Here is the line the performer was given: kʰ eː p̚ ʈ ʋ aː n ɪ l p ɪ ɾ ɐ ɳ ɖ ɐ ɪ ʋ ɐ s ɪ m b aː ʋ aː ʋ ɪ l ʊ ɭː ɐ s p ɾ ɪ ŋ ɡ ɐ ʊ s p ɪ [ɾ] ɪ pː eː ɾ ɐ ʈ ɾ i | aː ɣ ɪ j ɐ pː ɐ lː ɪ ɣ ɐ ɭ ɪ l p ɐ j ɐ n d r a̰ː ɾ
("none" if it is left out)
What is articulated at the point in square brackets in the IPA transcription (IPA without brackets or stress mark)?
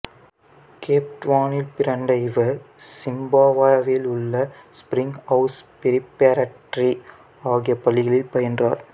ɾ